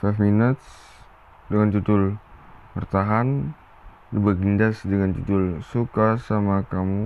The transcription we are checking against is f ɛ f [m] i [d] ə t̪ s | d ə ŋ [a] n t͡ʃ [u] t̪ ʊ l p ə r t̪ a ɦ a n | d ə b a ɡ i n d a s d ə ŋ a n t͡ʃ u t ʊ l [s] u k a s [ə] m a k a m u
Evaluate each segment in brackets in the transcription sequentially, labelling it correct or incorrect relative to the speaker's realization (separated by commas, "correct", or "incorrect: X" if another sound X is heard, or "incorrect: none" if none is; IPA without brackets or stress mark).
correct, incorrect: n, correct, correct, correct, incorrect: a